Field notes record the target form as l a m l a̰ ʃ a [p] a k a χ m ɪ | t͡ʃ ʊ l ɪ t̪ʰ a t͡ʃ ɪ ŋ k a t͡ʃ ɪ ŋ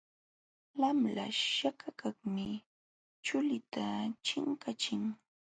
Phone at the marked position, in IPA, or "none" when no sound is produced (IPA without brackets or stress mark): k